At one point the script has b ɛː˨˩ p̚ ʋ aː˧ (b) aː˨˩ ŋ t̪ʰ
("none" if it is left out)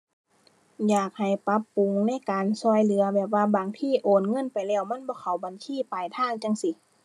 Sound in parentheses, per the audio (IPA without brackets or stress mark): b